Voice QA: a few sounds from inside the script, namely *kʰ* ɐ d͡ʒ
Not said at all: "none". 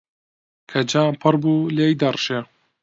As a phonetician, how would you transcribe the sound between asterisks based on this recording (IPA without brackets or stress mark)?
kʰ